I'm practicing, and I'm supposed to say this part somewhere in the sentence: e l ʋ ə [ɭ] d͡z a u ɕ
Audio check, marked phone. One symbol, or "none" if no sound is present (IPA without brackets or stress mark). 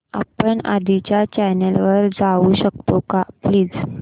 ɾ